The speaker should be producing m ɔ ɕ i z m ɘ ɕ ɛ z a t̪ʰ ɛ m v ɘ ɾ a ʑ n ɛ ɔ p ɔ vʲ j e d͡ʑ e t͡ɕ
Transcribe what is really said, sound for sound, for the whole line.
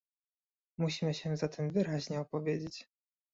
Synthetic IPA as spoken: m u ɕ i m ɘ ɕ ɛ z a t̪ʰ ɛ m v ɘ ɾ a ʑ ɲ ɛ ɔ p ɔ vʲ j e d͡ʑ e t͡ɕ